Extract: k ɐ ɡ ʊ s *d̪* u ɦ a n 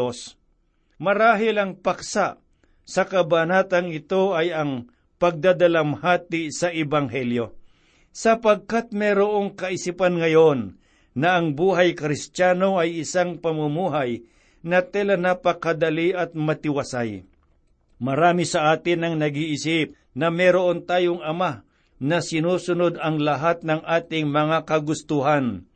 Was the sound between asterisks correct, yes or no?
no